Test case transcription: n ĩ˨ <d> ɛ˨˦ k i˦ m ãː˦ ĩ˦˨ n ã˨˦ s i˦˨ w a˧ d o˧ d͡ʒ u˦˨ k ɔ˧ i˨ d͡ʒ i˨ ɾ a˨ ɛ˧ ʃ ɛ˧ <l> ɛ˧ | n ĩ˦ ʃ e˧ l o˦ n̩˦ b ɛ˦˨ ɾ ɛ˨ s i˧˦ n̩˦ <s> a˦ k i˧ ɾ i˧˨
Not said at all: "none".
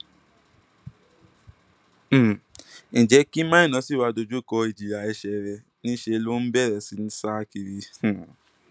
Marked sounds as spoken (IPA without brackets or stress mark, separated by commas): d͡ʒ, ɾ, s